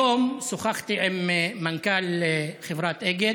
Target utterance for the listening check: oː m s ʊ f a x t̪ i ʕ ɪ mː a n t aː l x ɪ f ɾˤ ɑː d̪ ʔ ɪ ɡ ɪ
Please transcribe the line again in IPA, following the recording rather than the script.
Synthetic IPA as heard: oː m s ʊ x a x t̪ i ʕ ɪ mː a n k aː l x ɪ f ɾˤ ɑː t̪ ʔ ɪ ɡ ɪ